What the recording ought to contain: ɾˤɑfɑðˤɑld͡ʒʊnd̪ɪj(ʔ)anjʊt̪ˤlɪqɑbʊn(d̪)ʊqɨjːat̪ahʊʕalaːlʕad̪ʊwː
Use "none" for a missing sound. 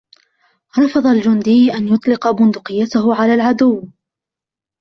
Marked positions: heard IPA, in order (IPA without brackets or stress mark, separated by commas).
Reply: ʔ, d̪